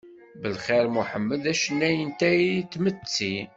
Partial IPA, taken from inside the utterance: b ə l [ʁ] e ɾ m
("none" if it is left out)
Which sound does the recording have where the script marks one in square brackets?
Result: χ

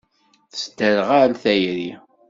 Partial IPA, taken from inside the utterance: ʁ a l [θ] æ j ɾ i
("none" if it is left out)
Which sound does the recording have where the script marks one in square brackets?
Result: θ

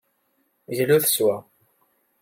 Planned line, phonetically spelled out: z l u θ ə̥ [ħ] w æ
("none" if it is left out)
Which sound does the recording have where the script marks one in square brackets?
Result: s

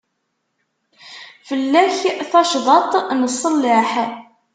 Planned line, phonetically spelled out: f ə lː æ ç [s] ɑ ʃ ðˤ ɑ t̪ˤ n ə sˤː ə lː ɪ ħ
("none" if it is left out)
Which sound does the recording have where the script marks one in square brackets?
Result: θ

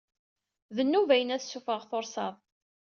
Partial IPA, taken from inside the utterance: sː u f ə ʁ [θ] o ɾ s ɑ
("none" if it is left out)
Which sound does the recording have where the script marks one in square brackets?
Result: θ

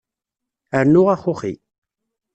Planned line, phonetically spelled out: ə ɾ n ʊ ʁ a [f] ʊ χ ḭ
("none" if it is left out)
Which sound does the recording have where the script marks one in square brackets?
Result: χ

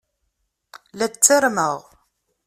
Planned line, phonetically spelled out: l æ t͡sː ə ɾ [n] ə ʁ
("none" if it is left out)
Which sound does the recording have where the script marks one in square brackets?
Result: m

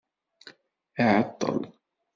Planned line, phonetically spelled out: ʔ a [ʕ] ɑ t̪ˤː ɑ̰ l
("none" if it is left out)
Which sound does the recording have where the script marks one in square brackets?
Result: ʕ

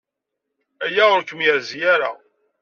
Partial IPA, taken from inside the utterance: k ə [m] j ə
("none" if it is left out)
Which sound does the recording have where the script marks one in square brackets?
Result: m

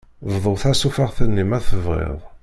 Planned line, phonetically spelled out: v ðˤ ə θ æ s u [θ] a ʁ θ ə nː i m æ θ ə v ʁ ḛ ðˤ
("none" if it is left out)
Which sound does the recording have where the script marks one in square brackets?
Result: f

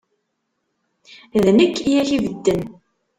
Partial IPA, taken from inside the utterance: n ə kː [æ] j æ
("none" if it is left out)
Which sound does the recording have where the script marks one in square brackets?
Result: i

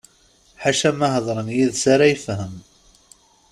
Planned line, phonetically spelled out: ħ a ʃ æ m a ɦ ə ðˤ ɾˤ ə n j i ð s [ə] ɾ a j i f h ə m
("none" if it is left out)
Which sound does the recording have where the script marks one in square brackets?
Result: a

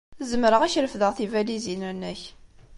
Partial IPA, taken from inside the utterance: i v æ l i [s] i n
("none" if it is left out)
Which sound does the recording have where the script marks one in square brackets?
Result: z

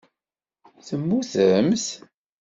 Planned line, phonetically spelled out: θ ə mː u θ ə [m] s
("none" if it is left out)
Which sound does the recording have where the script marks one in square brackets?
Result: m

